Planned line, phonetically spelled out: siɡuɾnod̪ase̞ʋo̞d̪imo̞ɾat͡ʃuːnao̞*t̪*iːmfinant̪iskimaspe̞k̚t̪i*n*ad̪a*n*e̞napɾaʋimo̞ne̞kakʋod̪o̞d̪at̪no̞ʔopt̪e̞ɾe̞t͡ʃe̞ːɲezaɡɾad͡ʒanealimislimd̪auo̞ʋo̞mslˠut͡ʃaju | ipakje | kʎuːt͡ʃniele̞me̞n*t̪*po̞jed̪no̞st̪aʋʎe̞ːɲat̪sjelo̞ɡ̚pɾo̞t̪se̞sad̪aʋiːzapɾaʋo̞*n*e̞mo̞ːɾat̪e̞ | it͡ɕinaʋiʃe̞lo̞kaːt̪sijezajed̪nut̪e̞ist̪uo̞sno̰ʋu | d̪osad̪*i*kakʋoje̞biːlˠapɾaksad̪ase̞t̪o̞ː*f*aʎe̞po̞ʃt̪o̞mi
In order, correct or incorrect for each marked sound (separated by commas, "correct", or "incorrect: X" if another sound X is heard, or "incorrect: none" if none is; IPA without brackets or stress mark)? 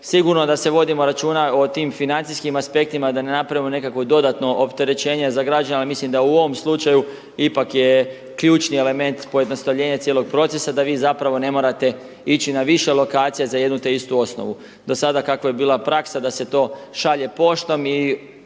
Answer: correct, incorrect: m, correct, correct, correct, incorrect: a, incorrect: ʃ